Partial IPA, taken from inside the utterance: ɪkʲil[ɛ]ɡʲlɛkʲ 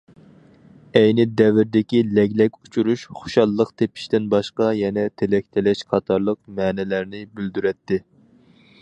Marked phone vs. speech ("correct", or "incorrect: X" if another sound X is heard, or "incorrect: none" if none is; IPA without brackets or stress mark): correct